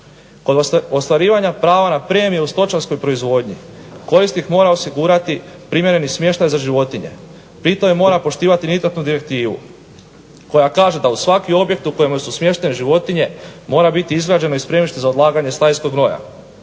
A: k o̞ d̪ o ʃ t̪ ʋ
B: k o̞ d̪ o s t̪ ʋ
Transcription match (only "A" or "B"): B